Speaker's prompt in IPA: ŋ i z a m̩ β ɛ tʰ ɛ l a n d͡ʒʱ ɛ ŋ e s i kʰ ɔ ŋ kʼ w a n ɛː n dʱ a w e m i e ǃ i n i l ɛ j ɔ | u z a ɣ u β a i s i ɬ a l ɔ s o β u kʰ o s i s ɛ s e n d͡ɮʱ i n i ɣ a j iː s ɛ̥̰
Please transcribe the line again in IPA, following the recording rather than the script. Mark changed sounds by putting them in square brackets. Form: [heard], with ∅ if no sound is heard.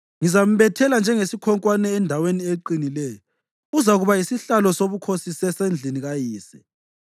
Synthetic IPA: ŋ i z a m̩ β ɛ tʰ ɛ l a n d͡ʒʱ ɛ ŋ e s i kʰ ɔ ŋ kʼ w a n ɛː n dʱ a w e [n] i e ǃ i n i l ɛ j ɔ | u z a ɣ u β a i s i ɬ a l ɔ s o β u kʰ o s i s ɛ s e n d͡ɮʱ i n i ɣ a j iː s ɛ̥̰